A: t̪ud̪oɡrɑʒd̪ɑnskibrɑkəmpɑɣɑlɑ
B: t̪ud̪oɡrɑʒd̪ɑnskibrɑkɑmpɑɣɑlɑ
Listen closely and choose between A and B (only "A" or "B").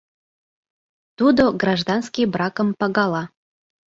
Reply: A